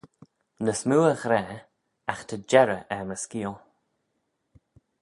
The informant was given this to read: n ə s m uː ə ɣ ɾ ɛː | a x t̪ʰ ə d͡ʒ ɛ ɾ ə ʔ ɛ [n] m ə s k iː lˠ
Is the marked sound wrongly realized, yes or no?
yes